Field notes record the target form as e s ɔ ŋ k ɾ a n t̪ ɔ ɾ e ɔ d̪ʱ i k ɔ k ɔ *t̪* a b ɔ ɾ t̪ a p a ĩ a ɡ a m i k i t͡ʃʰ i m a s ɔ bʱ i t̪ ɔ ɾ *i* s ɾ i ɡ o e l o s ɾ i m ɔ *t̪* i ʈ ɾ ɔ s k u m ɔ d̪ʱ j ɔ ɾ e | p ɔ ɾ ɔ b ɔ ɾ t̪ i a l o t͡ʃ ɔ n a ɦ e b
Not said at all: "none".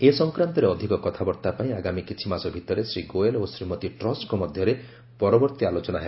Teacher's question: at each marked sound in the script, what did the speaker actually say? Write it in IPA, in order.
t̪ʰ, e, t̪

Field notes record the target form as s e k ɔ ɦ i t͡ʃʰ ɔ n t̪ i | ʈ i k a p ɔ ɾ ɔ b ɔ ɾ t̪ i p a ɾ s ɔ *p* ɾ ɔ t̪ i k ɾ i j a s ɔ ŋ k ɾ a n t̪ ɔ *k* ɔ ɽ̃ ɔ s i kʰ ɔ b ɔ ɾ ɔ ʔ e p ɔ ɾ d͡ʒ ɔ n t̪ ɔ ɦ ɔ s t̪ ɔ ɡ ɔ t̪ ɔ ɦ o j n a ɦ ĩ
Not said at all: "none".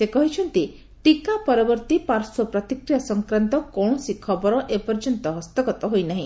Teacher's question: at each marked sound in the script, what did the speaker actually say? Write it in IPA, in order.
p, k

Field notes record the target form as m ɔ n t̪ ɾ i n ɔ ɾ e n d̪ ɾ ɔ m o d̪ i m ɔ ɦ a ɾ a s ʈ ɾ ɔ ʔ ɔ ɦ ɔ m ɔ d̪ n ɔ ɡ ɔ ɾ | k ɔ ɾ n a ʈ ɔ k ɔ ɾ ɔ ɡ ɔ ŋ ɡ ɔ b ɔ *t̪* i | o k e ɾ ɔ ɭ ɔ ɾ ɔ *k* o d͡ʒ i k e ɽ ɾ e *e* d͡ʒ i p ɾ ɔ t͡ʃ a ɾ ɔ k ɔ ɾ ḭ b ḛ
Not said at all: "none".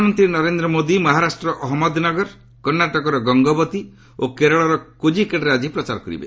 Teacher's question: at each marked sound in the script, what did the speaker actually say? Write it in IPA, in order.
t̪, k, a

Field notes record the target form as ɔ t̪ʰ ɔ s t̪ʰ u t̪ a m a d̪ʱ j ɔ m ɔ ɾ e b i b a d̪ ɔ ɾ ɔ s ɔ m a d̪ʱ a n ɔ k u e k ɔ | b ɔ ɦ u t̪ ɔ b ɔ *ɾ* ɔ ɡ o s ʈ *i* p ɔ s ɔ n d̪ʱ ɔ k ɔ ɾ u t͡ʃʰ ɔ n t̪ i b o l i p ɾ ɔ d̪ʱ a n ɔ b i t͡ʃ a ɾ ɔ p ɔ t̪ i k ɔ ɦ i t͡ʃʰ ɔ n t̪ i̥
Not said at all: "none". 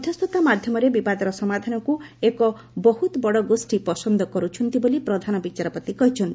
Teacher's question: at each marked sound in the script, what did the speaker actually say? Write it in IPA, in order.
ɽ, i

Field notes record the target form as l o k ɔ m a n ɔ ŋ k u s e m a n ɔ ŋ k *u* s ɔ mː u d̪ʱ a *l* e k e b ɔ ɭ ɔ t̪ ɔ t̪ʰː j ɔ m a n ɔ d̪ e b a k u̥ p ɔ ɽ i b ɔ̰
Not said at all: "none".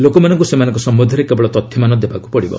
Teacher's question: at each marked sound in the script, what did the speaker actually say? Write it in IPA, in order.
ɔ, ɾ

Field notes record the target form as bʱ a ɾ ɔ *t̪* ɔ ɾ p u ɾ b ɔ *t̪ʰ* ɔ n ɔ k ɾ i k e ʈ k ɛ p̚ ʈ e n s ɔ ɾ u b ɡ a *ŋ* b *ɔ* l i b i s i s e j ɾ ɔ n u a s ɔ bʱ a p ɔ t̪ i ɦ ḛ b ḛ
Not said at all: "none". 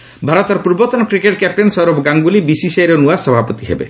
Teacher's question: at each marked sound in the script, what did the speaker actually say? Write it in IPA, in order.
t̪, t̪, ŋ, u

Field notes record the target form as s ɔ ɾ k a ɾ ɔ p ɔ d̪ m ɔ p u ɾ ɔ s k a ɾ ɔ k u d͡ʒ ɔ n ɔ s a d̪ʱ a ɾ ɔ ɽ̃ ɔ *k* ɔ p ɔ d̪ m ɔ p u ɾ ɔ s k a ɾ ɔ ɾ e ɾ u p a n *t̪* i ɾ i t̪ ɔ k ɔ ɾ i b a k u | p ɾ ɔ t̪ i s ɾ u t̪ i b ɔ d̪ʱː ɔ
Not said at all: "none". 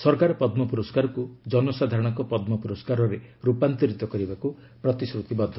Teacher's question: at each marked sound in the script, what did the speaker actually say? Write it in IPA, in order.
k, t̪

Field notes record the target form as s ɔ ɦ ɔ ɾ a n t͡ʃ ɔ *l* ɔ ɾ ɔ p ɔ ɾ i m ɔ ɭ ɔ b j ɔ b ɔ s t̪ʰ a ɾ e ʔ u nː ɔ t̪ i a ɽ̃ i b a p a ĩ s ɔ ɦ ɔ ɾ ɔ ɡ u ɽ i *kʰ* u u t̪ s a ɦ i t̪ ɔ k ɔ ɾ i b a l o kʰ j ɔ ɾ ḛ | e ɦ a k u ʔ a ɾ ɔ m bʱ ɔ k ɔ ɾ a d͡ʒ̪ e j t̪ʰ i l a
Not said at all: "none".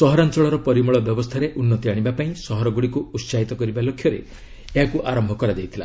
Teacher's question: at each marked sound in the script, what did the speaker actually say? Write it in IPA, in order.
ɭ, k

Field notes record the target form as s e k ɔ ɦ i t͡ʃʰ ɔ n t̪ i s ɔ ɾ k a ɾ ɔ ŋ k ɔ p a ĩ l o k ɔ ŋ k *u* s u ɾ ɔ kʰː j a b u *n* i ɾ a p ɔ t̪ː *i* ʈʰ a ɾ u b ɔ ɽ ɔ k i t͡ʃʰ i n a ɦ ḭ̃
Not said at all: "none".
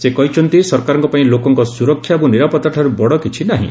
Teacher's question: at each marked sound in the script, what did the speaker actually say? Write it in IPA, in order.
ɔ, n, a

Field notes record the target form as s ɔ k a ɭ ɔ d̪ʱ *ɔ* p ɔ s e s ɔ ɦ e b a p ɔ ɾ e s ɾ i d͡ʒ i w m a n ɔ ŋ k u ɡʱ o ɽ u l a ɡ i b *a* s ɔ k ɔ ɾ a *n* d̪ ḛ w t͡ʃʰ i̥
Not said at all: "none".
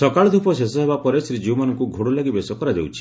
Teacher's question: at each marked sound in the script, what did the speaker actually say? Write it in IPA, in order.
u, e, none

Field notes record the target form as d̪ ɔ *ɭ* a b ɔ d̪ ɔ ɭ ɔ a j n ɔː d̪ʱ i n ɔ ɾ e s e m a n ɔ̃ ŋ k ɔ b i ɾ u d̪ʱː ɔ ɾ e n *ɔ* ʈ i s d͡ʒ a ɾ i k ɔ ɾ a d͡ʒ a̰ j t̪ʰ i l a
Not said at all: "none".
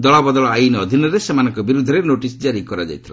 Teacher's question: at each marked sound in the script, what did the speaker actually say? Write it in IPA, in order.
ɭ, o

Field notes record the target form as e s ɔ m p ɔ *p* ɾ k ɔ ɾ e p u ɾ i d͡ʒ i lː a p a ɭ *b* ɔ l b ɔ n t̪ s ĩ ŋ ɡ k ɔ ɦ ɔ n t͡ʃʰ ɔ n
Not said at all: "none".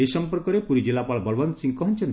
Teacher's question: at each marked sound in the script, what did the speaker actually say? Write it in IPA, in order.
none, b

